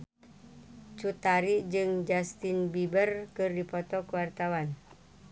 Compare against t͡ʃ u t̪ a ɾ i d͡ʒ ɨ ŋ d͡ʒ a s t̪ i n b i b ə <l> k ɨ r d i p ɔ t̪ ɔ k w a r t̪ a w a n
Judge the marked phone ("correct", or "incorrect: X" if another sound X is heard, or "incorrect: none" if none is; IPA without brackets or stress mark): incorrect: r